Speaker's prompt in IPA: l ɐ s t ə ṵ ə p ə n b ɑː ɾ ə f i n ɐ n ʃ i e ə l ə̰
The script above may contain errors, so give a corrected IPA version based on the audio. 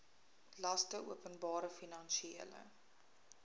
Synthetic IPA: l ɐ s t ə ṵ ə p ə n b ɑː ɾ ə f i n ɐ n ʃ i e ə l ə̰